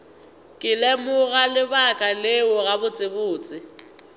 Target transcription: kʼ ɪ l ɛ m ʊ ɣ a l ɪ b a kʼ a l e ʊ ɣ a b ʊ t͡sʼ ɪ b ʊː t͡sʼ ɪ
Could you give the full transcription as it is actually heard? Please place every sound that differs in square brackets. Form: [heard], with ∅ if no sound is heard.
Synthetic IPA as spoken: kʼ ɪ l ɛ m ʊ ɣ a l ɪ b a kʼ a l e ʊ ɣ a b ʊ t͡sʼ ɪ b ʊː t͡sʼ ɪ

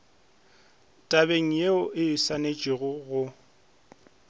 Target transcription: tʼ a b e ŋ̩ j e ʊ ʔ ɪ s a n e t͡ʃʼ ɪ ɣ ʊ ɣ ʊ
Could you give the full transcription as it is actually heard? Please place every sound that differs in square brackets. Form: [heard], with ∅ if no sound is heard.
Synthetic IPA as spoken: tʼ a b e ŋ̩ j e ʊ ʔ ɪ s a n e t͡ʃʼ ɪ ɣ ʊ ɣ ʊ

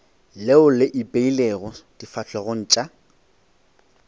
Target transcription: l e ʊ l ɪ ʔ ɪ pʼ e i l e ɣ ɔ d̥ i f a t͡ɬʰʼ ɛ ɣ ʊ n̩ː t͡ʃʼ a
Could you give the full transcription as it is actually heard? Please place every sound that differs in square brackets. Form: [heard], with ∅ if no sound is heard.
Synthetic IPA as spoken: l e ʊ l ɪ ʔ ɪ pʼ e i l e ɣ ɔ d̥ i f a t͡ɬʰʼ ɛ ɣ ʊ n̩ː t͡ʃʼ a

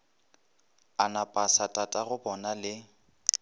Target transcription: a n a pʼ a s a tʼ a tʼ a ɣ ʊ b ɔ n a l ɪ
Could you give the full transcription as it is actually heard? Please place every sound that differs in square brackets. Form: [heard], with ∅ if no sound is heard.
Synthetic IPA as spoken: a n a pʼ a s a tʼ a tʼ a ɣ ʊ b ɔ n a l ɪ

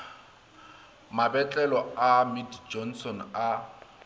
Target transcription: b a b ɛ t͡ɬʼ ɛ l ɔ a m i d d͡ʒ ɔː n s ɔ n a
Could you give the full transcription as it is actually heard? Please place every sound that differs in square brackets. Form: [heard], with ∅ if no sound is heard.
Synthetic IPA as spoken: [m] a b ɛ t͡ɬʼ ɛ l ɔ a m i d d͡ʒ [ɔ] n s ɔ n a

